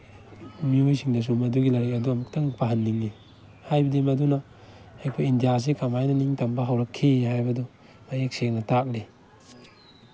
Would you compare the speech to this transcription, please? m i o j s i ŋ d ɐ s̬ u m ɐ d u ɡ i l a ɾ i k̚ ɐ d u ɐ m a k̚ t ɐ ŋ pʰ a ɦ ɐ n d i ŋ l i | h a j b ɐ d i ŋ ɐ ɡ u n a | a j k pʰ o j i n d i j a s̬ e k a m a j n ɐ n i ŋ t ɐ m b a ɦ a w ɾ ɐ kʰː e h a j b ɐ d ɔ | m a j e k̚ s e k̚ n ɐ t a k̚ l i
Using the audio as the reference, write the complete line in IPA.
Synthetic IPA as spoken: m i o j s i ŋ d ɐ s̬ u m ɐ d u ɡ i l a ɾ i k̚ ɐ d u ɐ m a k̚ t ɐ ŋ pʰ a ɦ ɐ n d i ŋ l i | h a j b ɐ d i m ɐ d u n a | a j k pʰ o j i n d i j a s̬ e k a m a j n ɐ n i ŋ t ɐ m b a ɦ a w ɾ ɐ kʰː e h a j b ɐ d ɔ | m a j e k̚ s e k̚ n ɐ t a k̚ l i